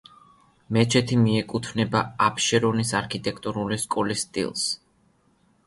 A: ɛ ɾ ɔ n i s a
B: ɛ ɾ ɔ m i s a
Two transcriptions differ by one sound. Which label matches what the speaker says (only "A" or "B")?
A